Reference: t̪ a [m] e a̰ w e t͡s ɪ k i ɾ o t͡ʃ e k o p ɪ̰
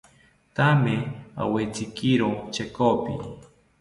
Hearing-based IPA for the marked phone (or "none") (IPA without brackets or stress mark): m